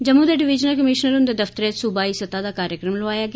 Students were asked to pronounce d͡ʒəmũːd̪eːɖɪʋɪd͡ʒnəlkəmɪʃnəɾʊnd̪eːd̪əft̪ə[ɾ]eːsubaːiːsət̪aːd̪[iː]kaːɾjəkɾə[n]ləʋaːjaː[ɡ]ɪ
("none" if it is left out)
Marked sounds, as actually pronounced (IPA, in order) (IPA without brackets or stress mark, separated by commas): ɾ, aː, m, ɡ